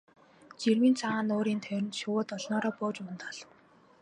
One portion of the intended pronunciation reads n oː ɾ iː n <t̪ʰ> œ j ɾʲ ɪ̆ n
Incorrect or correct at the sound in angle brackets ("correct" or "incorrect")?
correct